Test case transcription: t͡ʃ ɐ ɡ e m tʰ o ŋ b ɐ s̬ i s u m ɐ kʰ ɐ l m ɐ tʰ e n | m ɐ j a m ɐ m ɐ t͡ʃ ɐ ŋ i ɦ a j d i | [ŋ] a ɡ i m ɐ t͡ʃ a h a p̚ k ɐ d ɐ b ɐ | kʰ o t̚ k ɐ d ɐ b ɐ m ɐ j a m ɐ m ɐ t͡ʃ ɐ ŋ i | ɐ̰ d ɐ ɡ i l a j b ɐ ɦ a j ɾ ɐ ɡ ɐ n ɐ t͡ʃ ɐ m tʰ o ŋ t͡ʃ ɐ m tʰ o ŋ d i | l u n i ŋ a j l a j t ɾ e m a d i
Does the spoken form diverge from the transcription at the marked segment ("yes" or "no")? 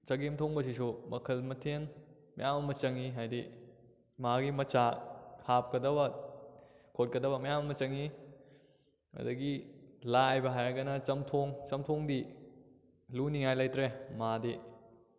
yes